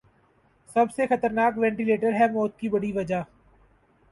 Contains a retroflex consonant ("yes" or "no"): yes